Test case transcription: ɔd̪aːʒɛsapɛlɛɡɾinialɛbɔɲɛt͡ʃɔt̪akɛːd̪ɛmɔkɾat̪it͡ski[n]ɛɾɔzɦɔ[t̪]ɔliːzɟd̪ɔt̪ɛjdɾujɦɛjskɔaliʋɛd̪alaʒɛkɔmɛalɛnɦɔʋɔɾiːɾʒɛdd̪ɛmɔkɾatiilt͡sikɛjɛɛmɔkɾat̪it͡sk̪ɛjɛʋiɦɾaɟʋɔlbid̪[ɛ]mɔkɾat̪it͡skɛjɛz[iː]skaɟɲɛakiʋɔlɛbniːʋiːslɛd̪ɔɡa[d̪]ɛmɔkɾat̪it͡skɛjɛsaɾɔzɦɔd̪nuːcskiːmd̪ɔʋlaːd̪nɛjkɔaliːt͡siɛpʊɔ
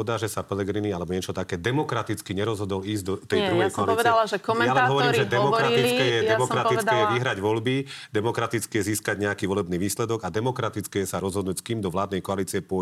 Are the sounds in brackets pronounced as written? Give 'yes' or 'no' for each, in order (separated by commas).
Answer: no, no, yes, yes, yes